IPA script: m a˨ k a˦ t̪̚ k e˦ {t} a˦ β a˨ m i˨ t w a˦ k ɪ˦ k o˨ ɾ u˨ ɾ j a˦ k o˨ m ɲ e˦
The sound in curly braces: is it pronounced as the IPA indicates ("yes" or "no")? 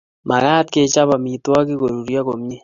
no